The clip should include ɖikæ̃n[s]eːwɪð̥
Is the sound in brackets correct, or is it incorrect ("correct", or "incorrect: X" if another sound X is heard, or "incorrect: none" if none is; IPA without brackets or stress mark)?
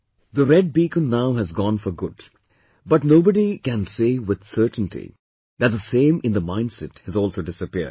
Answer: correct